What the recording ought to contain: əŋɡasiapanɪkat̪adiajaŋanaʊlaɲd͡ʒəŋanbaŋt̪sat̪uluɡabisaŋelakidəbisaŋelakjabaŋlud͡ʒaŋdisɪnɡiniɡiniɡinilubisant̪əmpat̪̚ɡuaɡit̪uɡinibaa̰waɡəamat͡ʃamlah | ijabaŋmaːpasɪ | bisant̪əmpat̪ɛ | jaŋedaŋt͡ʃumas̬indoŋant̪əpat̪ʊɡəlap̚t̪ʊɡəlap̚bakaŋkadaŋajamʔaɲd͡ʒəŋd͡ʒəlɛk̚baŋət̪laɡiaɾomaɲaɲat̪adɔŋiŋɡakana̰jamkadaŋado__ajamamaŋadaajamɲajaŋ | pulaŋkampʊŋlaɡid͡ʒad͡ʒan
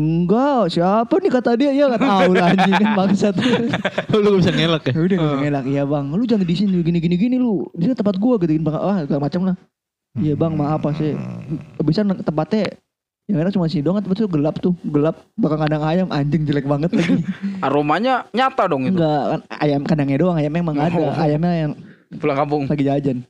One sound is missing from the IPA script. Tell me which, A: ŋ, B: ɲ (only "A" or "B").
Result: A